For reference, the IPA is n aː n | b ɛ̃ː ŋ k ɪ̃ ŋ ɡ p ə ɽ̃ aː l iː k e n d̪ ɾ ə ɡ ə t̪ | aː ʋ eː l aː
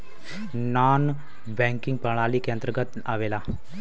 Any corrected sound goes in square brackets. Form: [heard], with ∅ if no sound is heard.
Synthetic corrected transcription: n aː n | b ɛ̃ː ŋ k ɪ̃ ŋ ɡ p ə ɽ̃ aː l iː k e n d̪ ɾ ə ɡ ə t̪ | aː ʋ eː l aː